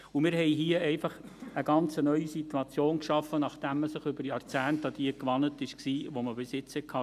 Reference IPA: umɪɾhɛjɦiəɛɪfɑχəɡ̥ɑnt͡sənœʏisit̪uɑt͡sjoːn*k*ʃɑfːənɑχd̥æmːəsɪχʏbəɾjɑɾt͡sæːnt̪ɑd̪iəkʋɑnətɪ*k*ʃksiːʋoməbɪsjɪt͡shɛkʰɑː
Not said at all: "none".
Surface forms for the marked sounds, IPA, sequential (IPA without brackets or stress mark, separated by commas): k, none